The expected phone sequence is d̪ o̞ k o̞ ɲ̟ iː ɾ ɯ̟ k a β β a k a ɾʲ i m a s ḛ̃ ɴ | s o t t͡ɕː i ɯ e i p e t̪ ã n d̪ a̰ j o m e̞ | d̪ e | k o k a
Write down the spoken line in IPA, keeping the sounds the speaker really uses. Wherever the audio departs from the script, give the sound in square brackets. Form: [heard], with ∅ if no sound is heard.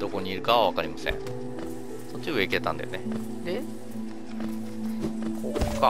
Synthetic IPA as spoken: d̪ o̞ k o̞ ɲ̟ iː ɾ ɯ̟ k a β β a k a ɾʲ i m a s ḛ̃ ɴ | s o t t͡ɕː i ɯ e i [k] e t̪ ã n d̪ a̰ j o [n] e̞ | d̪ e | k o k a